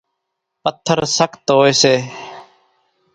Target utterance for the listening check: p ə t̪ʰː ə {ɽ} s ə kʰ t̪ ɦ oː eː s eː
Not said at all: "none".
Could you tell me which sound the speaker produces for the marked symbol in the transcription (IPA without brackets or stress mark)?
ɾ